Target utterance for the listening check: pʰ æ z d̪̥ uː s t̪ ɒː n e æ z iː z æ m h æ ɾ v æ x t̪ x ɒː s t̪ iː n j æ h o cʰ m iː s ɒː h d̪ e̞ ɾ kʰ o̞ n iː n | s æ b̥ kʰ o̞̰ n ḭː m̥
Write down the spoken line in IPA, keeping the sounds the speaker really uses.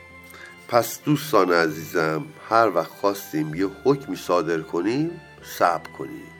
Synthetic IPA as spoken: pʰ æ s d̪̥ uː s t̪ ɒː n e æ z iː z æ m h æ ɾ v æ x t̪ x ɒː s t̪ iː m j e h o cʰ m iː s ɒː d̪ e̞ ɾ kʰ o̞ n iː m | s æ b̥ kʰ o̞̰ n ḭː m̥